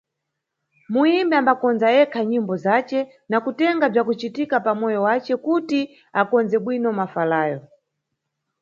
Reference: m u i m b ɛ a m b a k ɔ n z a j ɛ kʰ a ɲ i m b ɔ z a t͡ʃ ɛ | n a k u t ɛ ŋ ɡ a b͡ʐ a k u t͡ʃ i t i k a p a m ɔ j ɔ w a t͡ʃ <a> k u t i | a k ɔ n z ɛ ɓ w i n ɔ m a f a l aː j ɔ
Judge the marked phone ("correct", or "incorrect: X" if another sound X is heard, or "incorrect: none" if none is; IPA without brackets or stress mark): incorrect: ɛ